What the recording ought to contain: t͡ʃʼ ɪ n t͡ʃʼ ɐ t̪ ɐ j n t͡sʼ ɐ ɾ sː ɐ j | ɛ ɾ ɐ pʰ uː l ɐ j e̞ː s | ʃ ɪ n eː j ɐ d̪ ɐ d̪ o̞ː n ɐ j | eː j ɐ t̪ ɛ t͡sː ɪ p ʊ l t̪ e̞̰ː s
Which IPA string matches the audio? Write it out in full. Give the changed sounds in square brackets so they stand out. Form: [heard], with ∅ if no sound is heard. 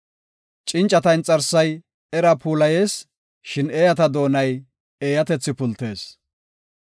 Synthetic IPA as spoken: t͡ʃʼ ɪ n t͡ʃʼ ɐ t̪ ɐ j n t͡sʼ ɐ ɾ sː ɐ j | ɛ ɾ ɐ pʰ uː l ɐ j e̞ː s | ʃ ɪ n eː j ɐ [t̪] ɐ d̪ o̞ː n ɐ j | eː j ɐ t̪ ɛ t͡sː ɪ p ʊ l t̪ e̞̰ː s